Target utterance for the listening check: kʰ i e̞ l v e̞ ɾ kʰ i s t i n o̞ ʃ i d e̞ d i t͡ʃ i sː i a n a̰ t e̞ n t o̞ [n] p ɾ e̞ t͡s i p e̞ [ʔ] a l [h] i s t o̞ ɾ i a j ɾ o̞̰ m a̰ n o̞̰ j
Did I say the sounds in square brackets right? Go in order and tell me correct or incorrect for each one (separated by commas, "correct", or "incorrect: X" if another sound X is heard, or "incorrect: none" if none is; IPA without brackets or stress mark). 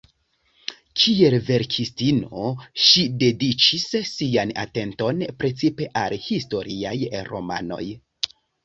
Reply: correct, correct, correct